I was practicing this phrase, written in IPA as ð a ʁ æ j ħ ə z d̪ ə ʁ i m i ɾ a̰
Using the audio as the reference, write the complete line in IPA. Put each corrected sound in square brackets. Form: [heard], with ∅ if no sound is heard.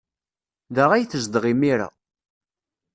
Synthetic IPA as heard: ð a ʁ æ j [θ] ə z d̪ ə ʁ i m i ɾ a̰